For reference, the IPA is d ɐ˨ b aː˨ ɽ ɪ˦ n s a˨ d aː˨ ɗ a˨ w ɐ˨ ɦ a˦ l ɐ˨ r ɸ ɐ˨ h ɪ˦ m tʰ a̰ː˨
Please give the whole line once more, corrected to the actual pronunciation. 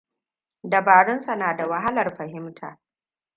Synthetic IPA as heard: d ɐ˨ b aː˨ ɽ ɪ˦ n s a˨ n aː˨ d a˨ w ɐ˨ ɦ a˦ l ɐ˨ r ɸ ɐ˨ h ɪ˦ m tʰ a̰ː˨